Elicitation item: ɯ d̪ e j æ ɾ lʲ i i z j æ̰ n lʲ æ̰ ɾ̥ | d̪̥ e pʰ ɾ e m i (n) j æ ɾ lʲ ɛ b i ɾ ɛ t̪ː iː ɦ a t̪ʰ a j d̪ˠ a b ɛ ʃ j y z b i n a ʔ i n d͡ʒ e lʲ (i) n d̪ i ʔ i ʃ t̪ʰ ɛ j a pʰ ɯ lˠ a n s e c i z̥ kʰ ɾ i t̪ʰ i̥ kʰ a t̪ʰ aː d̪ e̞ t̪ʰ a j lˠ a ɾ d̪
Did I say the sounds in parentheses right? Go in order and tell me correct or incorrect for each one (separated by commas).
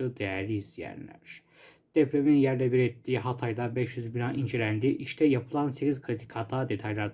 correct, incorrect